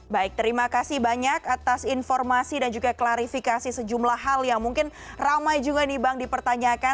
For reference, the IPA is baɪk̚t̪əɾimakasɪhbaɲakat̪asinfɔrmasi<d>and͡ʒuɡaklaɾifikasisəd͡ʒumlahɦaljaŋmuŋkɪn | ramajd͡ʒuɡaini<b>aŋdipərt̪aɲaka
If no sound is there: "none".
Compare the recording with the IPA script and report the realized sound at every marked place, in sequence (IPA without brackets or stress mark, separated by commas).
d, b